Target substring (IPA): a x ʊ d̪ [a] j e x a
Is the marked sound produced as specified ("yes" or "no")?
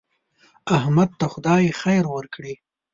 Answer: no